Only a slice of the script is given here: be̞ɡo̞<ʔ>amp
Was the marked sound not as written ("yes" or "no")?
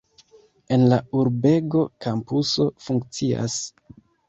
yes